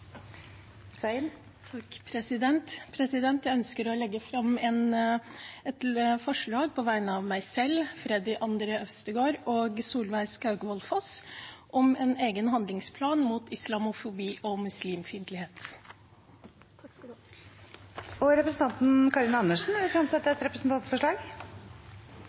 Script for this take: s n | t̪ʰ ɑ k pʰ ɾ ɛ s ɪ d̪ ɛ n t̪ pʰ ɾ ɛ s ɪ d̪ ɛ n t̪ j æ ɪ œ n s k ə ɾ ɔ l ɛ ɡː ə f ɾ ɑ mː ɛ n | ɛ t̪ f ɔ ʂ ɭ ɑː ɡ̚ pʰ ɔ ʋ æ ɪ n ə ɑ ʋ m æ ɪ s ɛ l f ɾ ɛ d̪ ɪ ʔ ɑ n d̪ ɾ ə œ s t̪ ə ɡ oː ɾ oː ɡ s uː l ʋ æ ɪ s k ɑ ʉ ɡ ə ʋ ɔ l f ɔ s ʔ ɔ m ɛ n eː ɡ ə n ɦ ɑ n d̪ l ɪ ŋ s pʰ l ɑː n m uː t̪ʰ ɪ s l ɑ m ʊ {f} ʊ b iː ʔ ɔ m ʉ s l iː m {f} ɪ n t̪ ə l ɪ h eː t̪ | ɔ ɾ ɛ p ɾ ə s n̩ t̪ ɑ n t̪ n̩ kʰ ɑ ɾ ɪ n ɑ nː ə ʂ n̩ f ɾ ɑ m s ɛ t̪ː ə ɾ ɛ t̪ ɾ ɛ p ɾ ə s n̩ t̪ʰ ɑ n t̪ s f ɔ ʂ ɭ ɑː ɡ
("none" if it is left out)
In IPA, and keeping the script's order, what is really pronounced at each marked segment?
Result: f, f

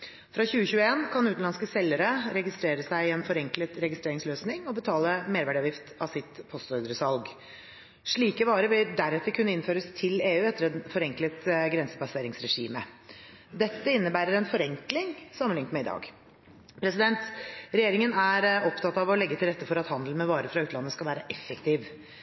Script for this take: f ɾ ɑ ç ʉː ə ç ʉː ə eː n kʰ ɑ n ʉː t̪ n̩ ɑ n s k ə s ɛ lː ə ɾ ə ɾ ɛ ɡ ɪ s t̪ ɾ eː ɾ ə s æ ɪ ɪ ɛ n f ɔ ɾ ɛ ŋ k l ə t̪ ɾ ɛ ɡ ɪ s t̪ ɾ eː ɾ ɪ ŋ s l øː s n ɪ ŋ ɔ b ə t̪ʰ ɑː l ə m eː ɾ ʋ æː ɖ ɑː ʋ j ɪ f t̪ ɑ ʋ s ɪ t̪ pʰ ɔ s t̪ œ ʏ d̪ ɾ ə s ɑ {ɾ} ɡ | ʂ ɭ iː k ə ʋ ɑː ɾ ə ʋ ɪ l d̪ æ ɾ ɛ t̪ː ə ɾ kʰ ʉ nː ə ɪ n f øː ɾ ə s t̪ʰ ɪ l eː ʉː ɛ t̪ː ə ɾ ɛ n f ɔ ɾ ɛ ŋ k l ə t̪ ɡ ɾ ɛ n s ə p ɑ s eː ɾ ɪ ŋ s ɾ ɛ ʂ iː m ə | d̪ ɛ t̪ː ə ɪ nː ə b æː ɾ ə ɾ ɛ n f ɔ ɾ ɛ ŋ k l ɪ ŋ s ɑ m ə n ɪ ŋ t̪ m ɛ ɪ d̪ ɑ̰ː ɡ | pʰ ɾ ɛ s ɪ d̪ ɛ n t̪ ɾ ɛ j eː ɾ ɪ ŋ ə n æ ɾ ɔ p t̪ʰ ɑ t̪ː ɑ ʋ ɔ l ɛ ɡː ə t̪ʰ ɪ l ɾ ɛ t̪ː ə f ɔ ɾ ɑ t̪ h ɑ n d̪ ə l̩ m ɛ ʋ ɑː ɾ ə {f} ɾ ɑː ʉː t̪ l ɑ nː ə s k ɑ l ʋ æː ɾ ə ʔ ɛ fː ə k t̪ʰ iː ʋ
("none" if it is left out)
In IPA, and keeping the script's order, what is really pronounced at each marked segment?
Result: l, f

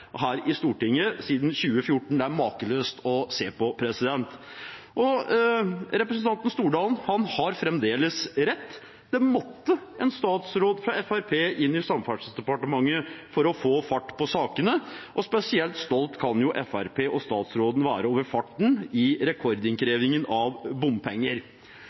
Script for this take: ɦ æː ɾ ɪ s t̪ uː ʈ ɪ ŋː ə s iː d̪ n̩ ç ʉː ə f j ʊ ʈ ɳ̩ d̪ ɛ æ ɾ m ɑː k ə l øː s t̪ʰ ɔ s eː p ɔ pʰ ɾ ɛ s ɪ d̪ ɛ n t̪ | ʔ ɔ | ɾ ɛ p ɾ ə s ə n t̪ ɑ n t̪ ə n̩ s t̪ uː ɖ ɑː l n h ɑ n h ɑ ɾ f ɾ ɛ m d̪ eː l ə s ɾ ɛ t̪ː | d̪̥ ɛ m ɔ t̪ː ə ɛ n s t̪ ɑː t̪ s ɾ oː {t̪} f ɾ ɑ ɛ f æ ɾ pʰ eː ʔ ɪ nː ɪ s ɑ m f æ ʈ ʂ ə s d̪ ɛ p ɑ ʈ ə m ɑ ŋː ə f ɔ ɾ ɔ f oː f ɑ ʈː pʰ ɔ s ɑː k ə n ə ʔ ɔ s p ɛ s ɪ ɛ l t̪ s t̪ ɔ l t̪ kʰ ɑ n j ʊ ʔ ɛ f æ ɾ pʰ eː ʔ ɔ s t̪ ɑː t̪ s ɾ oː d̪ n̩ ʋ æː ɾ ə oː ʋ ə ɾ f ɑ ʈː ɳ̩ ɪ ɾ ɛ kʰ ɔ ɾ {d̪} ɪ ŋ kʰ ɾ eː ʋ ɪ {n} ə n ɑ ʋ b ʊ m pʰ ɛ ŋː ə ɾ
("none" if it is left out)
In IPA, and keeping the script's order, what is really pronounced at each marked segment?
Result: d̪, d̪, ŋ

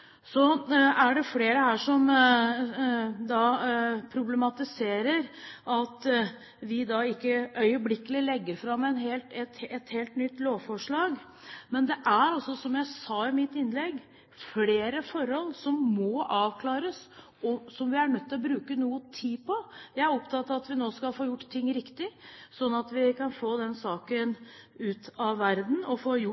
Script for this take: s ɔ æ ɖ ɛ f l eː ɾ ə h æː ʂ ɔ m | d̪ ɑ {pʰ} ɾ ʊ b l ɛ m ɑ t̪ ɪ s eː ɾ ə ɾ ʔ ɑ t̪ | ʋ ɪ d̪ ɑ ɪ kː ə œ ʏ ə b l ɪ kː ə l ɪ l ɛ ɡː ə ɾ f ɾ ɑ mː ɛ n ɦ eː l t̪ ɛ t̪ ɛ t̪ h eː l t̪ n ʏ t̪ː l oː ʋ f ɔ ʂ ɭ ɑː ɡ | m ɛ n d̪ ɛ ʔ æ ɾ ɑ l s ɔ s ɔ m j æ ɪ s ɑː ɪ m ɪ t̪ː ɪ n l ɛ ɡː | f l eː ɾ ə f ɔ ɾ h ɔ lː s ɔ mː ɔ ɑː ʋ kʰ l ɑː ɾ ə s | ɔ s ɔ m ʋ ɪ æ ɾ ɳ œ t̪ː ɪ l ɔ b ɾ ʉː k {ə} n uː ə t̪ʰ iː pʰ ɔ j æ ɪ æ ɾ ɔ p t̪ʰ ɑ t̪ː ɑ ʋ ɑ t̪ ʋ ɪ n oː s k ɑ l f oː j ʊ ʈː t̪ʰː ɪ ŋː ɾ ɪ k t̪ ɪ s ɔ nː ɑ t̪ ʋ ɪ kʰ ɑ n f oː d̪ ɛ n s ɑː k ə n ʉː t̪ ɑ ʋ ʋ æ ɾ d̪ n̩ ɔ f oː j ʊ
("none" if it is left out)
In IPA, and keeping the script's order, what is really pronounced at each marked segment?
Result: pʰ, ə

